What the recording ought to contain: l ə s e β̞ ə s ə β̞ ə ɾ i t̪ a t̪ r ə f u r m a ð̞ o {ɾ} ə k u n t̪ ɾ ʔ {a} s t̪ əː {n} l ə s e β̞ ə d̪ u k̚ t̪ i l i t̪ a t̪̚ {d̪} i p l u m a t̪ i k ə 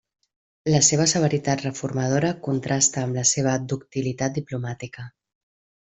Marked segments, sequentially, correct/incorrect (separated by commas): correct, correct, incorrect, correct